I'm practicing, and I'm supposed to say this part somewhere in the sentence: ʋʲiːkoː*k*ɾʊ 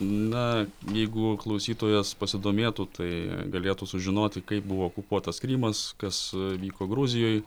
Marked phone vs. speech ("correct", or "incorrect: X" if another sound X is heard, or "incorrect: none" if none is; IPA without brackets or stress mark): incorrect: ɡ